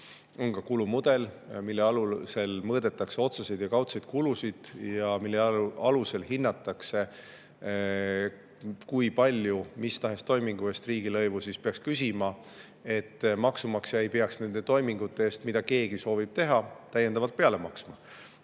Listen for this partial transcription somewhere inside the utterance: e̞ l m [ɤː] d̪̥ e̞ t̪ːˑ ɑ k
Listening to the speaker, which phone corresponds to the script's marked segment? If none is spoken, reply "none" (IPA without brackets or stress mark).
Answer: ɤː